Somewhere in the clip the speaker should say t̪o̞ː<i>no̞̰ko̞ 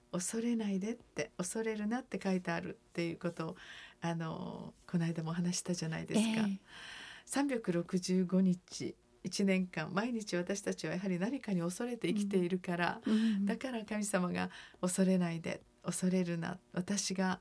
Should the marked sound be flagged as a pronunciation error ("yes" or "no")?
yes